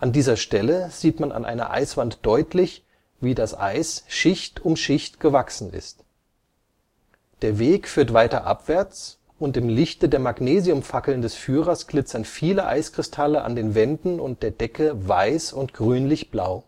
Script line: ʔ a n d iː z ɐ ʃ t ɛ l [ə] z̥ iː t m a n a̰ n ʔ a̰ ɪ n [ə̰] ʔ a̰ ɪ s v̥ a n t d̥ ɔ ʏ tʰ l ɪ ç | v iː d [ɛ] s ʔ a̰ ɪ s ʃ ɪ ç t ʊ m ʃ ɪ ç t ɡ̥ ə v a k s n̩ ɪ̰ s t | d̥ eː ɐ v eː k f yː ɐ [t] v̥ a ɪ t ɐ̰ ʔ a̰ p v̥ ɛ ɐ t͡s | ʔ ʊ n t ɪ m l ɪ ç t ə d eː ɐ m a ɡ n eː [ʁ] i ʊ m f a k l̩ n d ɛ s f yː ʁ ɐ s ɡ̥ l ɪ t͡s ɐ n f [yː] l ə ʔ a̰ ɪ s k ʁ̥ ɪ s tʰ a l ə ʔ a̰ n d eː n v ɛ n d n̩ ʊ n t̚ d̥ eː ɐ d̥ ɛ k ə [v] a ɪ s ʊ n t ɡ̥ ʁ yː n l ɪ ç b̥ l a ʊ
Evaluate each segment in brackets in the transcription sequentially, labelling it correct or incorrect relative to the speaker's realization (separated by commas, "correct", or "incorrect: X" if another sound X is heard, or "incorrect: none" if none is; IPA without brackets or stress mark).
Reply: correct, incorrect: ɐ̰, incorrect: a, correct, incorrect: z, incorrect: iː, correct